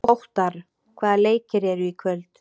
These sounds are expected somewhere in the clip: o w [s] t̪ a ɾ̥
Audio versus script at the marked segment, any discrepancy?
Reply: yes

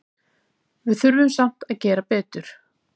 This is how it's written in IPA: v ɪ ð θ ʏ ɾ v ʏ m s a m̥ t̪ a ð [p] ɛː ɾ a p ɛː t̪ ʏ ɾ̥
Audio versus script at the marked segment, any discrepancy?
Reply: yes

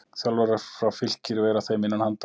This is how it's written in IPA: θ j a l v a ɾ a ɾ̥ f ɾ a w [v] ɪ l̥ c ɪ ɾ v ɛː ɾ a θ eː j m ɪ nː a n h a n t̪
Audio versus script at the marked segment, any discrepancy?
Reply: yes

